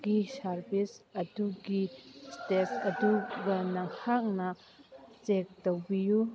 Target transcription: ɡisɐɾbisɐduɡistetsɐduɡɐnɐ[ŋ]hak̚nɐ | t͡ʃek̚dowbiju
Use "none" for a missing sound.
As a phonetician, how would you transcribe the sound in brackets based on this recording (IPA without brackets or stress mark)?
ŋ